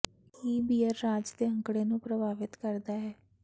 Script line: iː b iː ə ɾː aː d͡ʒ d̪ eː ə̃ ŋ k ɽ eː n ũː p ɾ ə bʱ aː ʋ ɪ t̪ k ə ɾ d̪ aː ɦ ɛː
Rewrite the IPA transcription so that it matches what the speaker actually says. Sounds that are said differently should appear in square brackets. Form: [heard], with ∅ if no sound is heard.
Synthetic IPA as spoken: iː b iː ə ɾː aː d͡ʒ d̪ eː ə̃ ŋ k ɽ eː n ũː p ɾ ə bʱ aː ʋ ɪ t̪ k ə ɾ d̪ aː ɦ ɛː